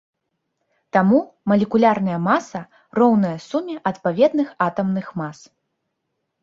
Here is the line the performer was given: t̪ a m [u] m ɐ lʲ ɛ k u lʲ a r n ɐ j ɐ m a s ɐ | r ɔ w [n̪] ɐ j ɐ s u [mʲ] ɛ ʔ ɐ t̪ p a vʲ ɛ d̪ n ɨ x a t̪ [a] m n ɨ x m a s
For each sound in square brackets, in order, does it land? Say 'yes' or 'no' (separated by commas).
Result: yes, yes, yes, no